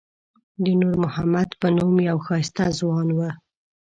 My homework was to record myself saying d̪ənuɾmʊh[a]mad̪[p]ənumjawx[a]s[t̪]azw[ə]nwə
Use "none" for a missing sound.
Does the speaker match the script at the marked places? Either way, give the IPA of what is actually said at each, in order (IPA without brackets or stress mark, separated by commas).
a, p, ɑ, t̪, ɑ